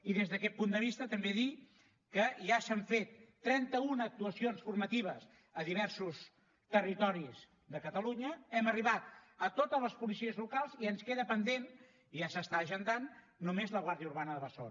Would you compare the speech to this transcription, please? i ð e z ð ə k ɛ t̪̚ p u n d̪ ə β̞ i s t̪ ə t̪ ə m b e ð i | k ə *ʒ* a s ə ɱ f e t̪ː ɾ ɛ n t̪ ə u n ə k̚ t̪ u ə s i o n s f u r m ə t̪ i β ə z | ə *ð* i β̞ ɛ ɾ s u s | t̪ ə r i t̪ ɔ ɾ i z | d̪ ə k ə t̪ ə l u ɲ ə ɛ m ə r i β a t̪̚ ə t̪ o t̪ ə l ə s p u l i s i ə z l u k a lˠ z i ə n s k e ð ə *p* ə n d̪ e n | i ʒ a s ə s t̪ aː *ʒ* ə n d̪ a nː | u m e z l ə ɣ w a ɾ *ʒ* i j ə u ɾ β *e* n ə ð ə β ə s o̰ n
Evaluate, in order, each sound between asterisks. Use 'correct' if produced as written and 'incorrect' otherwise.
correct, correct, correct, correct, incorrect: ð, incorrect: a

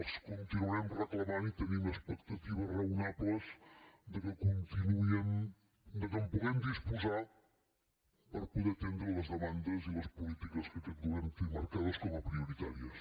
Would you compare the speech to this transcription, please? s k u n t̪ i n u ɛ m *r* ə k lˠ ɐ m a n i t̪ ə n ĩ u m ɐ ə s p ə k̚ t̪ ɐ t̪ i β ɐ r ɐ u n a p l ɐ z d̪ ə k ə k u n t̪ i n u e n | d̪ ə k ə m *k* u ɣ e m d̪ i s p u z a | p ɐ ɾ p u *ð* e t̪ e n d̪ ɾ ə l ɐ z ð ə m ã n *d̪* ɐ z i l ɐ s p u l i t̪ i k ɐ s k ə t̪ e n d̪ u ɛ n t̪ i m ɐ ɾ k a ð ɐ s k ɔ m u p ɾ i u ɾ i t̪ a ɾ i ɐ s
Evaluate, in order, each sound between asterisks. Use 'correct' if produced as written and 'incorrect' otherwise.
correct, incorrect: p, correct, correct

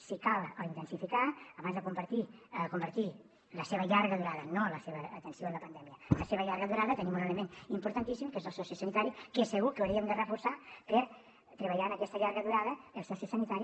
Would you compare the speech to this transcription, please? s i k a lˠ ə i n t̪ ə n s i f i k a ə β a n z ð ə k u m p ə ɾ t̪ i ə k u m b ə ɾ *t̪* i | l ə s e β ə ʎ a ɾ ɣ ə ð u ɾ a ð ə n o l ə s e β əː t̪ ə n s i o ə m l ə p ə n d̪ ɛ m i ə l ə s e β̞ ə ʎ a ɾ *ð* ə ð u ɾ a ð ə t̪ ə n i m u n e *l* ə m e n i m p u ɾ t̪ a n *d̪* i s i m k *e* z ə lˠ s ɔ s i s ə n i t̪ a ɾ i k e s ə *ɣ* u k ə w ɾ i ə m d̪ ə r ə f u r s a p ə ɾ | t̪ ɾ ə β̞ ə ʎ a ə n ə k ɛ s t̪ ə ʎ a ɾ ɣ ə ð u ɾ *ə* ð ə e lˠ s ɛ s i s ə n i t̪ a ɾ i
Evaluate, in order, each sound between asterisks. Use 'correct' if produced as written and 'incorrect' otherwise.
correct, incorrect: ɣ, correct, incorrect: t̪, correct, correct, incorrect: a

